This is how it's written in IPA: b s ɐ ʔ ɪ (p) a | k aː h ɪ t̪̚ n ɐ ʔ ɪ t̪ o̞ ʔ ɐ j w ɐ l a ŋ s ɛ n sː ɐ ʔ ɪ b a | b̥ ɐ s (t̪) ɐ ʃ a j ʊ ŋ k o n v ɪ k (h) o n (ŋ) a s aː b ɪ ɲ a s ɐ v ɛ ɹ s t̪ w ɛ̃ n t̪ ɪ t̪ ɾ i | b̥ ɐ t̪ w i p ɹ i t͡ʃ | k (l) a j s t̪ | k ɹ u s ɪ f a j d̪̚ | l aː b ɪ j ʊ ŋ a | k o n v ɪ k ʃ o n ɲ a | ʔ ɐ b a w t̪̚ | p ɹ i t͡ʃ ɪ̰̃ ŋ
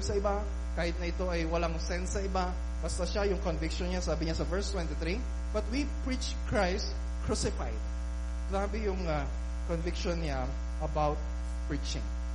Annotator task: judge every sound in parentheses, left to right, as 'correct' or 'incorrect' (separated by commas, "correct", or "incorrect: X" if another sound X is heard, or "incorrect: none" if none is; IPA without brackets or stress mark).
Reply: incorrect: b, correct, incorrect: ʃ, incorrect: ɲ, incorrect: ɹ